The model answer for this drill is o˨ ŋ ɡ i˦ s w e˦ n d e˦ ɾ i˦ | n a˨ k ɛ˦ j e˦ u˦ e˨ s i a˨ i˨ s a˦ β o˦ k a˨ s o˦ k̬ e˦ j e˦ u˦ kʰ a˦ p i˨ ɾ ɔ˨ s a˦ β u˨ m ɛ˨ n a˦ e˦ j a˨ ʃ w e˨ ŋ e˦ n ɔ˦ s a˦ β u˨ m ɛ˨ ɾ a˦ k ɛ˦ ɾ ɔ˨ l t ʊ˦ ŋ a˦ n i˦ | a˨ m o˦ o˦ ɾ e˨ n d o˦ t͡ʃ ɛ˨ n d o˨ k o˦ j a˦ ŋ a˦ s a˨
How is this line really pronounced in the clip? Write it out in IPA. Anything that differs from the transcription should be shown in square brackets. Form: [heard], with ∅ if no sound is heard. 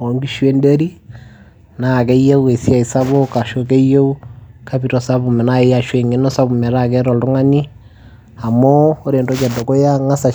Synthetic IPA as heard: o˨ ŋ ɡ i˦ [ʃ] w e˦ n d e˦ ɾ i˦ | n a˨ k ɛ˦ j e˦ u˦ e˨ s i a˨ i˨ s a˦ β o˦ k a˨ [ʃ] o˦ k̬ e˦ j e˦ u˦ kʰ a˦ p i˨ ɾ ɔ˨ s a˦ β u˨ m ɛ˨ n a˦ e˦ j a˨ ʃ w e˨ ŋ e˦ n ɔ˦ s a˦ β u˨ m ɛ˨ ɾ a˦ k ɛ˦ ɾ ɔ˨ l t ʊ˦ ŋ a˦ n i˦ | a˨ m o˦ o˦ ɾ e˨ n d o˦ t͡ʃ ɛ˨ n d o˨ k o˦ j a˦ ŋ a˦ s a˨

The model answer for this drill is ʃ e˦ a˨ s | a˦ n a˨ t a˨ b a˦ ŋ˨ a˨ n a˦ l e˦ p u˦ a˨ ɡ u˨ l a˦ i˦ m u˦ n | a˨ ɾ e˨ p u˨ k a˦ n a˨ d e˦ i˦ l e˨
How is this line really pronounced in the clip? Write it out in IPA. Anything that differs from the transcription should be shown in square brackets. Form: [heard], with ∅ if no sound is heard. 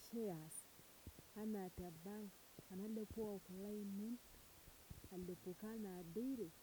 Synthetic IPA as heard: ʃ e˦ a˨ s | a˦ n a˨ t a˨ b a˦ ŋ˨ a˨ n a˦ l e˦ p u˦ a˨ [k] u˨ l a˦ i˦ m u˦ n | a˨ [l] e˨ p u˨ k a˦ n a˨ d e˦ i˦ [ɾ] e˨

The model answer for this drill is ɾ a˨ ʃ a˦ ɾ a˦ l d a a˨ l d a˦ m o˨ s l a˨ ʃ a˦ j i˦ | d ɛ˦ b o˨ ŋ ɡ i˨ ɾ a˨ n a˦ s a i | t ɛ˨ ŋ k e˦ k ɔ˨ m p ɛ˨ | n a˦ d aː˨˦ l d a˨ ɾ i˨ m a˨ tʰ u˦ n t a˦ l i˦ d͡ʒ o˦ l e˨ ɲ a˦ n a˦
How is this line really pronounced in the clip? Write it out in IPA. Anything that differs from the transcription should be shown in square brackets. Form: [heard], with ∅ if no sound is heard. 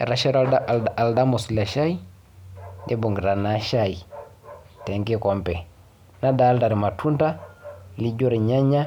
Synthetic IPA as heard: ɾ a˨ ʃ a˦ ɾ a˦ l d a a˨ l d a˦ m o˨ s l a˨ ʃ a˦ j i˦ | d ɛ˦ b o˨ ŋ ɡ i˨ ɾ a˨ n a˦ [ʃ] a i | t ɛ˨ ŋ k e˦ k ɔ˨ m p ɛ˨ | n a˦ d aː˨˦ l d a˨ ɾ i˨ m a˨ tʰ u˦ n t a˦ l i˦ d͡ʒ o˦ [ɾ] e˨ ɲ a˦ [ɲ] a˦

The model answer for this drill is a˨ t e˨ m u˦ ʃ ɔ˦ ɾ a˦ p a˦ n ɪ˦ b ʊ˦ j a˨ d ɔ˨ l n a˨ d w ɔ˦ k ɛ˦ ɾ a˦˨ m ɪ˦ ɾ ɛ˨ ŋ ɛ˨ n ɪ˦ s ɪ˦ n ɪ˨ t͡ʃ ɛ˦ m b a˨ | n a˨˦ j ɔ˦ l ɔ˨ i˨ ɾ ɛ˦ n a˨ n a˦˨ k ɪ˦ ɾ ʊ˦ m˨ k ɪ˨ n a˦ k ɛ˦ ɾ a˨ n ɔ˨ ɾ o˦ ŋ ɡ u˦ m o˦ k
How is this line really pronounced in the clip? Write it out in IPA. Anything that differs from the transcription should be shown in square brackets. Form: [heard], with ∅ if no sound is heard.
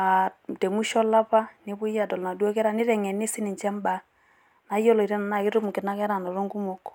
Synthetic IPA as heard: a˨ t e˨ m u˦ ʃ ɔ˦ [l] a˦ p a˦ n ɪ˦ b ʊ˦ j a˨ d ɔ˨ l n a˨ d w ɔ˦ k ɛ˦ ɾ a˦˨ [n] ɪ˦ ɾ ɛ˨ ŋ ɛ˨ n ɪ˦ s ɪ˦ n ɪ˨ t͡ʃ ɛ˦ m b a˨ | n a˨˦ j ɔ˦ l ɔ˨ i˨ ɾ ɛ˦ n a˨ n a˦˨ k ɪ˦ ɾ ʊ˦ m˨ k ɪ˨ n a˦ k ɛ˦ ɾ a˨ n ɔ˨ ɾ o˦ ŋ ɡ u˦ m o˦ k

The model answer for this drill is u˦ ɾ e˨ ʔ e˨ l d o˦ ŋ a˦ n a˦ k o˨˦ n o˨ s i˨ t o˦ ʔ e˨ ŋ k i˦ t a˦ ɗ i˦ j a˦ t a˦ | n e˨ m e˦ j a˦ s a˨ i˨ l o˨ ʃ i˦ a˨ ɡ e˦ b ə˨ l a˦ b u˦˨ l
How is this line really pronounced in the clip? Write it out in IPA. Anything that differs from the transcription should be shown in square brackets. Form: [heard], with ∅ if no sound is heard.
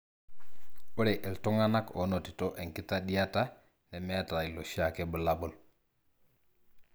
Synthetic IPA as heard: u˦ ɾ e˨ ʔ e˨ l [t] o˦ ŋ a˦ n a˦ k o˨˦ n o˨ [t] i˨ t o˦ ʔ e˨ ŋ k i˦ t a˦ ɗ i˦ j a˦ t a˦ | n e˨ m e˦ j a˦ [t] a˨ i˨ l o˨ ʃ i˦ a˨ [k] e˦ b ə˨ l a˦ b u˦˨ l

